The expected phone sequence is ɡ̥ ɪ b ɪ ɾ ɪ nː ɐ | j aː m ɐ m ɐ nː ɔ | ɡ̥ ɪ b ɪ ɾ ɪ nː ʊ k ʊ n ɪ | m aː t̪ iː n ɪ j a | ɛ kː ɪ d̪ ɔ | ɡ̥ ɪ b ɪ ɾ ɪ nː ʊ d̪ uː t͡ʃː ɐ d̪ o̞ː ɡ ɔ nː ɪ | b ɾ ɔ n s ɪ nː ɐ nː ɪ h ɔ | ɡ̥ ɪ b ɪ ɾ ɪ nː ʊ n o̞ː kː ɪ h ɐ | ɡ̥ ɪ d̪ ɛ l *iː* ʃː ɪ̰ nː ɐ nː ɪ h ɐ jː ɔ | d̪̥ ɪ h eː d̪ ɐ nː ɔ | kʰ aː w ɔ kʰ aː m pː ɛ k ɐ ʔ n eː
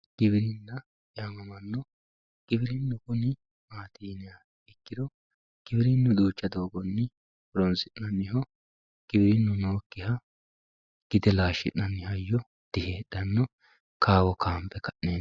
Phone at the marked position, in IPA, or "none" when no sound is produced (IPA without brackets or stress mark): aː